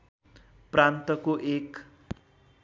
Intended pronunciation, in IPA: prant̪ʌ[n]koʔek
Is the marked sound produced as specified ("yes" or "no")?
no